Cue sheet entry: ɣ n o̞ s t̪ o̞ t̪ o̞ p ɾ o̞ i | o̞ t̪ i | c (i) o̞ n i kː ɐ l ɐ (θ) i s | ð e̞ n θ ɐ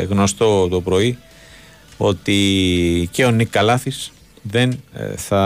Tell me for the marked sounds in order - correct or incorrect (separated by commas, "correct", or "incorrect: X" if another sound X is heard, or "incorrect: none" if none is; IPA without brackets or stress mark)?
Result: incorrect: e, correct